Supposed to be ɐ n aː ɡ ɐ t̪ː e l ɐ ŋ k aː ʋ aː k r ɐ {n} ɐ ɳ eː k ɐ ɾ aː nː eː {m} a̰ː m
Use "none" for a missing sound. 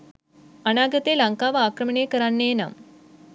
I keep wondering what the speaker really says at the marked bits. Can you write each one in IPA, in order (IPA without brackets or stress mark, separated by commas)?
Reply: m, n